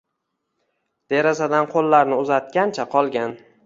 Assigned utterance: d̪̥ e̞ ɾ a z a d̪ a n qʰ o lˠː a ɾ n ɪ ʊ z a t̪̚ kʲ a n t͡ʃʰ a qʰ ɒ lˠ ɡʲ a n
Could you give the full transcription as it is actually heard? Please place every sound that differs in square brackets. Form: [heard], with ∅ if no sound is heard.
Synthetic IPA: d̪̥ e̞ ɾ a z a d̪ a n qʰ o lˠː a ɾ n ɪ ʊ z a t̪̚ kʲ a n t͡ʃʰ a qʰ ɒ lˠ ɡʲ a n